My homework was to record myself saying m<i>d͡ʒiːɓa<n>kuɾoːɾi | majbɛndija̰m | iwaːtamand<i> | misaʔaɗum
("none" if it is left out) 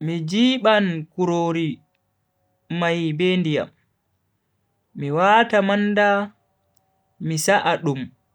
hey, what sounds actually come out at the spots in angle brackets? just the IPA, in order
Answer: i, n, a

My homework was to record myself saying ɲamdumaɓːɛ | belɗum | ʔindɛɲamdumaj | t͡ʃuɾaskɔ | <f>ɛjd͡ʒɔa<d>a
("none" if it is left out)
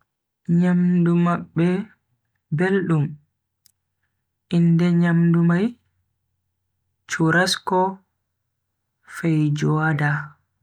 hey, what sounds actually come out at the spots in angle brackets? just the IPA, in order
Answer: f, d

